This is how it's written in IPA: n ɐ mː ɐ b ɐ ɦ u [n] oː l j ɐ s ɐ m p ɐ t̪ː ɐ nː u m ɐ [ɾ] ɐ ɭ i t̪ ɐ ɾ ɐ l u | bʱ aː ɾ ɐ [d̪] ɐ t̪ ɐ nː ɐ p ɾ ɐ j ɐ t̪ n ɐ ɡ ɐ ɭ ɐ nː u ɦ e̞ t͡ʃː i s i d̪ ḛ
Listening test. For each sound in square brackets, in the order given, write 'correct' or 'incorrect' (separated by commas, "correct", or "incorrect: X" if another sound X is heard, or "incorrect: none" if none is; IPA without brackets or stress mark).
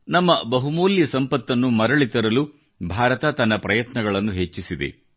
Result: incorrect: m, correct, incorrect: t̪